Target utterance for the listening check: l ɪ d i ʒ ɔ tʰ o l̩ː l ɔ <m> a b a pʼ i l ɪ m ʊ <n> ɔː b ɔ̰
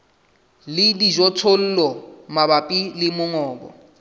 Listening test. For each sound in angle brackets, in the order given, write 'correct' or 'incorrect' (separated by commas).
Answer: correct, incorrect